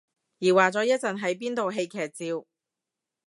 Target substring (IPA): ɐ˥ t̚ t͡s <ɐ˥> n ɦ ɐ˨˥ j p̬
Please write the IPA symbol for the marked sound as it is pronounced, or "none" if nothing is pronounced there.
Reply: ɐ˨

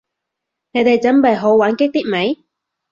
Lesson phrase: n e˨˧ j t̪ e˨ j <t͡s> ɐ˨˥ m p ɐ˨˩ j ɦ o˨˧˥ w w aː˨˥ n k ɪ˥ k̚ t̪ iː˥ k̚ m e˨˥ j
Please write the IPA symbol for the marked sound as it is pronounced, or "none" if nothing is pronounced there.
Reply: t͡s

